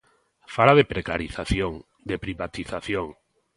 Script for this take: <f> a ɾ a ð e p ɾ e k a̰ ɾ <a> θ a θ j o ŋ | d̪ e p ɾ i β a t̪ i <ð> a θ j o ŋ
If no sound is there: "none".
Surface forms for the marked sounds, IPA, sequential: f, i, θ

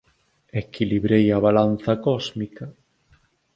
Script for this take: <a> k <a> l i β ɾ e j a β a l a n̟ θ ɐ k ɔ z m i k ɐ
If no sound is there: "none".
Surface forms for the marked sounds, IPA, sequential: e, i

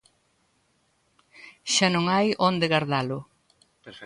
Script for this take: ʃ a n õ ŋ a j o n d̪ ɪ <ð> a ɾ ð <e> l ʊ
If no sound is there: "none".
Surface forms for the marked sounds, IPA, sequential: ɣ, a

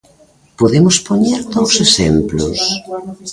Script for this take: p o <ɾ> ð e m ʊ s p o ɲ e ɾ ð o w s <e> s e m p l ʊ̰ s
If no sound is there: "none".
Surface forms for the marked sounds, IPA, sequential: none, e

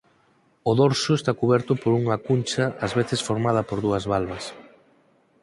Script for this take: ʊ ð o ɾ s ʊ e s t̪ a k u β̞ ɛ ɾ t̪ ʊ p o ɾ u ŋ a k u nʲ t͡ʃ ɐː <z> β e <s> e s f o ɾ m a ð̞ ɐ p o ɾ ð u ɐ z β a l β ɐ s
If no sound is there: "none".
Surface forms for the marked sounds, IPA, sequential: z, θ

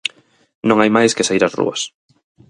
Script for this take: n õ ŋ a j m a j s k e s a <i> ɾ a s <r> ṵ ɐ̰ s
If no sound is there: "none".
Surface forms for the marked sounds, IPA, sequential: i, r

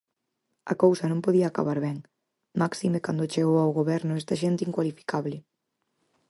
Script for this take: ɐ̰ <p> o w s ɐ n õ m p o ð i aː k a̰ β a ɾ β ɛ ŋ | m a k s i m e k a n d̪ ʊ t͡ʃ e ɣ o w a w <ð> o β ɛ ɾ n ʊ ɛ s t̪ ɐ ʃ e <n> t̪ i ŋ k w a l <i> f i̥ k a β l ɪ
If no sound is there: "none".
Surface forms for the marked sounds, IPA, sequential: k, ɣ, n, i

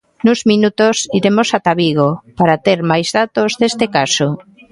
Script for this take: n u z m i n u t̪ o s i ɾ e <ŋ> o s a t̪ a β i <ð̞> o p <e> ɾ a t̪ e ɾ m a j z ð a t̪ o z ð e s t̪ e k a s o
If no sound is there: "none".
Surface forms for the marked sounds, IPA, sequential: m, ɣ̞, a

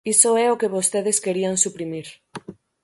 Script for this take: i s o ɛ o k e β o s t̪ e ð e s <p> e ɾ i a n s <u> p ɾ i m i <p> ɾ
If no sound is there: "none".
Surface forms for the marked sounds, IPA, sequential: k, u, none

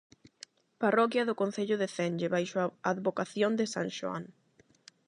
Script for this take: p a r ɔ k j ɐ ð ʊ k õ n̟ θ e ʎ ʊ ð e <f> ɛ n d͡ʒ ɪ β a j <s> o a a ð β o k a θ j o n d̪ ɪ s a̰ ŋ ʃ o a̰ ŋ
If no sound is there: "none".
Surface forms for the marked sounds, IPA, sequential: θ, ʃ

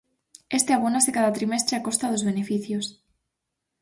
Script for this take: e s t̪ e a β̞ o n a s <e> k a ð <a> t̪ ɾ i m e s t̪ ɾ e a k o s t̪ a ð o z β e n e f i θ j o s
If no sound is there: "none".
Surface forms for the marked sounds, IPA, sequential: e, a

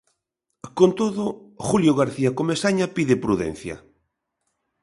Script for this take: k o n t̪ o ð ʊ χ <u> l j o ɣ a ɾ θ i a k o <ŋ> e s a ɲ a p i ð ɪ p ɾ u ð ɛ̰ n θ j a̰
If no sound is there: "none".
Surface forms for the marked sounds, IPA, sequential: u, m

